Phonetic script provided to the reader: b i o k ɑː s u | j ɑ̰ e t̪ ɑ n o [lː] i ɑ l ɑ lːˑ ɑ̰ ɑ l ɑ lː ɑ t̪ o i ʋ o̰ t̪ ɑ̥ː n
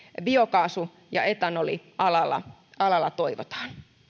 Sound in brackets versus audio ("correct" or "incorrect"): incorrect